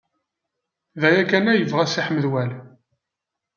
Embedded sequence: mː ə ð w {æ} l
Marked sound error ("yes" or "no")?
no